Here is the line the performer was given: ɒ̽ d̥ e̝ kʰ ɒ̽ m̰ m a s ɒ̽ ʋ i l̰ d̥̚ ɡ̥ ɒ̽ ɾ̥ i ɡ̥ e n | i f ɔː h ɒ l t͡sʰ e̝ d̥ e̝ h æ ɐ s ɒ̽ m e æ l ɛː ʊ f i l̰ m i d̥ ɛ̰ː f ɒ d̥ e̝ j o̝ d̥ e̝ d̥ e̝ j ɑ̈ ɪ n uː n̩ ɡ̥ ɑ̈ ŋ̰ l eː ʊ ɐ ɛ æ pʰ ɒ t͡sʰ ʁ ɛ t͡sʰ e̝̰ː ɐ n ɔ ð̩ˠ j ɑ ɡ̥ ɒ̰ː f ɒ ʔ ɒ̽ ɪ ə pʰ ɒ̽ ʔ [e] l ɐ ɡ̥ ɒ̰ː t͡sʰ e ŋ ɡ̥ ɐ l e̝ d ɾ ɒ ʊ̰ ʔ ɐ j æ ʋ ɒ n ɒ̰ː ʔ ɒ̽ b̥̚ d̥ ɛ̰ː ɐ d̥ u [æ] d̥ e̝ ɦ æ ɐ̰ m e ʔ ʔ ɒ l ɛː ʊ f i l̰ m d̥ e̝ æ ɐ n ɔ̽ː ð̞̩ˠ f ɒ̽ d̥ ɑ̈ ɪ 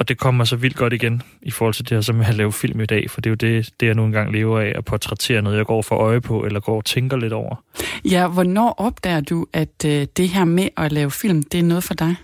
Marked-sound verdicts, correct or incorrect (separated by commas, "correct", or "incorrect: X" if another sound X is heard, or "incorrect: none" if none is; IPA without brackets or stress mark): correct, correct